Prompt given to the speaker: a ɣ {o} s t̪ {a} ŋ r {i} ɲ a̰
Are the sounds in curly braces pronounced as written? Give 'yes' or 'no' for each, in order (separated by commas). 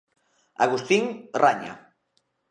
no, no, no